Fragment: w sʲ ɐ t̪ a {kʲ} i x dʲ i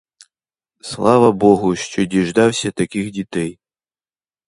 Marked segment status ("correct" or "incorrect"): correct